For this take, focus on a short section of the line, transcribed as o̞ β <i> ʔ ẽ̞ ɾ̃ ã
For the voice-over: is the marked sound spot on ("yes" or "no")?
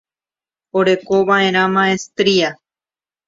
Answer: no